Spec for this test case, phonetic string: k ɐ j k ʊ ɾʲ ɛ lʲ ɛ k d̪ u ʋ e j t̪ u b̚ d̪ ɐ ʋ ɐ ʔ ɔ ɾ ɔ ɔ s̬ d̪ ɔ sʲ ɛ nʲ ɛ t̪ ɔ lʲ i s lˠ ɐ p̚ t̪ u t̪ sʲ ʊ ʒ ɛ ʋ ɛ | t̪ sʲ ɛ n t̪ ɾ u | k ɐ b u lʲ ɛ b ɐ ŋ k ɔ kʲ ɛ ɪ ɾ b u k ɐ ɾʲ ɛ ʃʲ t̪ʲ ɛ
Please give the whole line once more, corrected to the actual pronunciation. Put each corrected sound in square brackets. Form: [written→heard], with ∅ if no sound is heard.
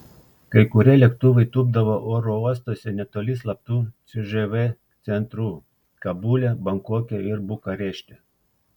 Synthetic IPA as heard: k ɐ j k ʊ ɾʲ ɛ lʲ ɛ k [d̪→t̪] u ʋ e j t̪ u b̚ d̪ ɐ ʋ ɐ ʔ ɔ ɾ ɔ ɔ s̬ [d̪→t̪] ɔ sʲ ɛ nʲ ɛ t̪ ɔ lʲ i s lˠ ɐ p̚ t̪ u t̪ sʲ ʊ ʒ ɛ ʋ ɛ | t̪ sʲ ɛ n t̪ ɾ u | k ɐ b u lʲ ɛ b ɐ ŋ k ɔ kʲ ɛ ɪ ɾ b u k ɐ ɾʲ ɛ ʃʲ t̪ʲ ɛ